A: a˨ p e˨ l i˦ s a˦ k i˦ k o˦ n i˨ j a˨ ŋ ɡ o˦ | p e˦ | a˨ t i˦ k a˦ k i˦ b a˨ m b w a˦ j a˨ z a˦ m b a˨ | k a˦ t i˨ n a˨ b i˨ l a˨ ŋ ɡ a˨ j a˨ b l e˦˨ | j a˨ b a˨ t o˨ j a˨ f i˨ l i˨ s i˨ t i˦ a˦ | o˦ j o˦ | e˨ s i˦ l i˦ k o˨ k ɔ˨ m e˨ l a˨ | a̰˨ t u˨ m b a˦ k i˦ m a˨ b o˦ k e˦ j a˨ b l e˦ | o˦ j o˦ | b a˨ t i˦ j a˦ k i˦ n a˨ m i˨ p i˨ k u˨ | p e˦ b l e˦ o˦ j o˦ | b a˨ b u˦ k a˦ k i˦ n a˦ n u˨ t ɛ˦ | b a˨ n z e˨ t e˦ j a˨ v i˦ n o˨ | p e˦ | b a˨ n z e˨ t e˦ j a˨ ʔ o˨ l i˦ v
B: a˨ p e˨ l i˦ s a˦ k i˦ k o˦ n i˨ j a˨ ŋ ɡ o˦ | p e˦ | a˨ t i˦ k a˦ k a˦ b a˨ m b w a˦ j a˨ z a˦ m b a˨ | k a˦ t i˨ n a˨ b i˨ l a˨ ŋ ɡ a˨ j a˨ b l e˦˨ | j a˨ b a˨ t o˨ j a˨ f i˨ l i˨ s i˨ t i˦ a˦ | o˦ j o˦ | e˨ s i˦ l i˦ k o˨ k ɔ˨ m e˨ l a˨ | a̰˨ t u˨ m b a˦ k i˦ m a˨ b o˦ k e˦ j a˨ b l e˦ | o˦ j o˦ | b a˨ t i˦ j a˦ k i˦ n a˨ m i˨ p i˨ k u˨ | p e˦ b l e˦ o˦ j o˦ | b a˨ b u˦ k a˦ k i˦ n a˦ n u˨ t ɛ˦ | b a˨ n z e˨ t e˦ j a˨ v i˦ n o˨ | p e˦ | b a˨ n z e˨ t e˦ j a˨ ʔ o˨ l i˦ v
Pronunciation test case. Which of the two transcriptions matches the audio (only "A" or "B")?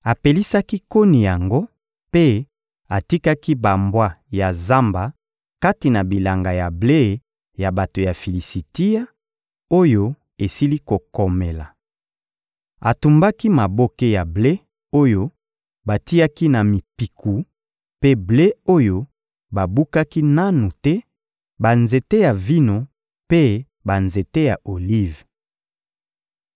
A